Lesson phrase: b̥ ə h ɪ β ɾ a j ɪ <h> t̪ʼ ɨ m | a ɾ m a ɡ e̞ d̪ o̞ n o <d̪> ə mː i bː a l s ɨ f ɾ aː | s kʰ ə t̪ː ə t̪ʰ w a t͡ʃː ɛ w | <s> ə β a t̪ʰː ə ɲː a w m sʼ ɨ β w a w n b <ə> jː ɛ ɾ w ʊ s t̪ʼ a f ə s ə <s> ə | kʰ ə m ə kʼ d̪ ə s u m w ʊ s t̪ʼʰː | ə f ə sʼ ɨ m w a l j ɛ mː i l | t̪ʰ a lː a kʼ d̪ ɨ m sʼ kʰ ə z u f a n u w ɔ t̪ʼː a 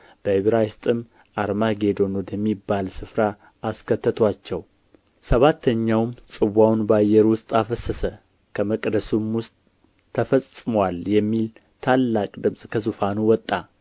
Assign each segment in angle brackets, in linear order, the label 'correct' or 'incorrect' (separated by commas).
incorrect, correct, correct, incorrect, correct